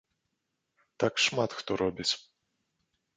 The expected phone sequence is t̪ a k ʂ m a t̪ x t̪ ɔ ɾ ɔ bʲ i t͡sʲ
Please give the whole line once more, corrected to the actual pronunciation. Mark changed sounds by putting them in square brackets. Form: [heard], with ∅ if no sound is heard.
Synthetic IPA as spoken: t̪ a k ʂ m a t̪ x t̪ ɔ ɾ ɔ bʲ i t͡sʲ